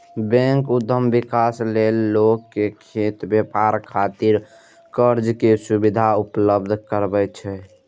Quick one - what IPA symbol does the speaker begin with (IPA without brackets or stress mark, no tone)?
b